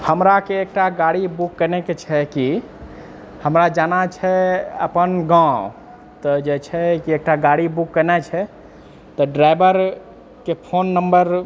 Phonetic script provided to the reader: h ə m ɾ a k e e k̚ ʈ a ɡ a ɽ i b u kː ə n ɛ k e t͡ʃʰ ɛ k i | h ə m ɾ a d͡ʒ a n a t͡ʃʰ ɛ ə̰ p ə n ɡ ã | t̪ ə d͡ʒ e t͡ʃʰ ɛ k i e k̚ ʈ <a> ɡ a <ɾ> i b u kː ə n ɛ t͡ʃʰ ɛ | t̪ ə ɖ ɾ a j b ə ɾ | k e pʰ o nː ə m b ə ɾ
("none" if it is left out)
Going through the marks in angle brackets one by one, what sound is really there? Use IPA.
a, ɽ

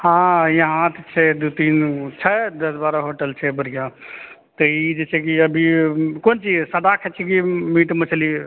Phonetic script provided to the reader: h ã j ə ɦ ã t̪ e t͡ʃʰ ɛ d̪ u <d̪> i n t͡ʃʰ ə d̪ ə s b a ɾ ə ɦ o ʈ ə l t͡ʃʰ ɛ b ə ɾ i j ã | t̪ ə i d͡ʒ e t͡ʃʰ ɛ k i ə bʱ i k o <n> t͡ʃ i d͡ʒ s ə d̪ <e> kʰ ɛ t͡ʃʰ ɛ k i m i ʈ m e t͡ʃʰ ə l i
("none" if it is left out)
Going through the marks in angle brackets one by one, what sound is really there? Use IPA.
t̪, n, a

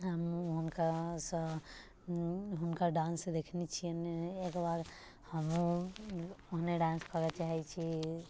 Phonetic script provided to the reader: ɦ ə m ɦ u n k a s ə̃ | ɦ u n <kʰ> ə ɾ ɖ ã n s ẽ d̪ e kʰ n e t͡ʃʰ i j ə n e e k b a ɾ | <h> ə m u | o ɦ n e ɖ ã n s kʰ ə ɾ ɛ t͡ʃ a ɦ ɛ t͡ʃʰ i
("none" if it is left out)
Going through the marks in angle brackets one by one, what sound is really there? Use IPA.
k, h

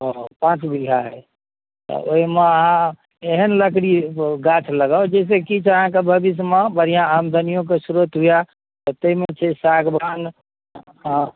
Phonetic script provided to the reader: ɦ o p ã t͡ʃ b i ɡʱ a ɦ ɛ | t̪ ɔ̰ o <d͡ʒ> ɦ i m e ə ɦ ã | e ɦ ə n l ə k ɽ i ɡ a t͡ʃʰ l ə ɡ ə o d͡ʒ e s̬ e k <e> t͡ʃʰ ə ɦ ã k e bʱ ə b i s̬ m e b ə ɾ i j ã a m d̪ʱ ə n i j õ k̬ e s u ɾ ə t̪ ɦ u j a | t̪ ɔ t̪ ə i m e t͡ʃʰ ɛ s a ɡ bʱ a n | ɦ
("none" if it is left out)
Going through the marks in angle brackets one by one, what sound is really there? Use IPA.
none, i

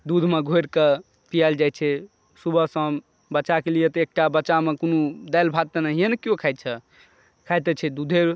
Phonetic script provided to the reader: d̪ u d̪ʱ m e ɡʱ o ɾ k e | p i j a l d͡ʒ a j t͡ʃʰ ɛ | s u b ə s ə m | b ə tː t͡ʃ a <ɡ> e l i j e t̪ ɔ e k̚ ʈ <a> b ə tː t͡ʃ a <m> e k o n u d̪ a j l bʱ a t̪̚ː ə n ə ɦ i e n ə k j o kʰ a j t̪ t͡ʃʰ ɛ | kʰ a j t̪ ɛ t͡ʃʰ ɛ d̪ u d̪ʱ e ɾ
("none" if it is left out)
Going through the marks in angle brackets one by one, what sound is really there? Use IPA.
k, a, m

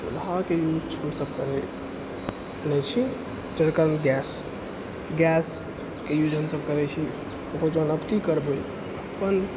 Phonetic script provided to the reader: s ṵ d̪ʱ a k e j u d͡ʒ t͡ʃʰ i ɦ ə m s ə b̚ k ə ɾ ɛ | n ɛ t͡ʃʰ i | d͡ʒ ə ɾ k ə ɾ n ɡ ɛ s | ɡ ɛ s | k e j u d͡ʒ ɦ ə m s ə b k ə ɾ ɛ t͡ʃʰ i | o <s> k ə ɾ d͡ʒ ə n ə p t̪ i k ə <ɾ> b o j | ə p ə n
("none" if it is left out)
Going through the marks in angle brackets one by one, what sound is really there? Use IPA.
none, ɾ

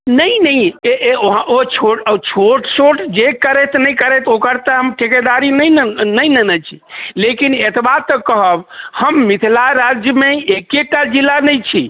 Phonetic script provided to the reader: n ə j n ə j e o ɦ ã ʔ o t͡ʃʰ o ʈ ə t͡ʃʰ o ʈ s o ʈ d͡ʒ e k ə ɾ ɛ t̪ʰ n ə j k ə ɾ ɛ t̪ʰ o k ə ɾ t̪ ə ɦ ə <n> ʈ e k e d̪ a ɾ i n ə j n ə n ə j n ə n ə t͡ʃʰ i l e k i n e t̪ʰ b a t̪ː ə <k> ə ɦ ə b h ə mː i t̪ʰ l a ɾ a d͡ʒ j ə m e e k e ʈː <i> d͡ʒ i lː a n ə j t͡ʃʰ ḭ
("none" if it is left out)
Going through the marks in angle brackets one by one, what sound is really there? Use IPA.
m, k, a

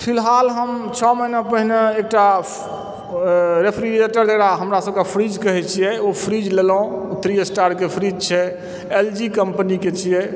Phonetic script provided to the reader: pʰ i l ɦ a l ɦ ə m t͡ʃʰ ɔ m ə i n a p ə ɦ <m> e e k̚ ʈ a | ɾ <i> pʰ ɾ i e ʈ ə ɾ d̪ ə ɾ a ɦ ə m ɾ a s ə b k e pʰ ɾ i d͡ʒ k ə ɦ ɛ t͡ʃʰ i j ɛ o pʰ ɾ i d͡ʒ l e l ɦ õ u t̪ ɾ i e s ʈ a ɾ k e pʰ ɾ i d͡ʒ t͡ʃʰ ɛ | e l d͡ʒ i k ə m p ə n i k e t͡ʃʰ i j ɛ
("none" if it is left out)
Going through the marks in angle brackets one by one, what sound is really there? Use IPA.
n, e

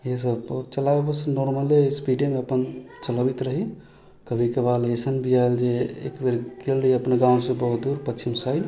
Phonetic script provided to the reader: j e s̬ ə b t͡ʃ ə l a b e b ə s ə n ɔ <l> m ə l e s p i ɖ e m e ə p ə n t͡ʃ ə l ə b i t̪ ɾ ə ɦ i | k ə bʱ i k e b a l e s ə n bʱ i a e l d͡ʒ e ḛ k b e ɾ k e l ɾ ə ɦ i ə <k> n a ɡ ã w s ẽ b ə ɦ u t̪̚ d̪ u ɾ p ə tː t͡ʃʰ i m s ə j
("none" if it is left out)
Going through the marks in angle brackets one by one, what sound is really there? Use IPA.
ɾ, p

